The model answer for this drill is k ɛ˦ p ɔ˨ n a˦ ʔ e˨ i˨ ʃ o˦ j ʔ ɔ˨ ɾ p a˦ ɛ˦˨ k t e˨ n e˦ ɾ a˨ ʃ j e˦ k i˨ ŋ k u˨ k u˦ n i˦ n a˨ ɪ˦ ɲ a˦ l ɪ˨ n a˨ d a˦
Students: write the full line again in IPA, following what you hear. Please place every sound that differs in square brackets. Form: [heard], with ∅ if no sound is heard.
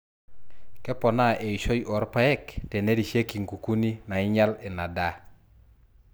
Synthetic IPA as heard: k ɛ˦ p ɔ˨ n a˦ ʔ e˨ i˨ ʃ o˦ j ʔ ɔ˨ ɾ p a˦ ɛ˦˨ k t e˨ n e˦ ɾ [i˨] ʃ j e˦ k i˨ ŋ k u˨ k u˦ n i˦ n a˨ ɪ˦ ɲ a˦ l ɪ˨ n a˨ d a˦